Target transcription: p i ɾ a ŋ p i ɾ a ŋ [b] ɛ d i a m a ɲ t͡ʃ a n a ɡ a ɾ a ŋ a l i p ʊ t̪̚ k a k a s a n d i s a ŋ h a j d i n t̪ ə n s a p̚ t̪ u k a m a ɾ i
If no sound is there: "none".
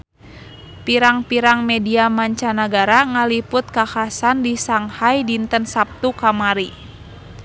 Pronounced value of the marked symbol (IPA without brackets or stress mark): m